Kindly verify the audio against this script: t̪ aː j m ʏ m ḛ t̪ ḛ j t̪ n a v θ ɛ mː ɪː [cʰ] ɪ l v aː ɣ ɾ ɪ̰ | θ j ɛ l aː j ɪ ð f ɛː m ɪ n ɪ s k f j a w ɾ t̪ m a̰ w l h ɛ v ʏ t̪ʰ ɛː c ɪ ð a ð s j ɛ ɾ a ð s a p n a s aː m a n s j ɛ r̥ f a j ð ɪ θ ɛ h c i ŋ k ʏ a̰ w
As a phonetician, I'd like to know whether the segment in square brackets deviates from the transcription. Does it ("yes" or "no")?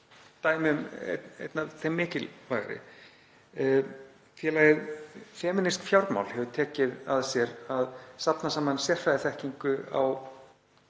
yes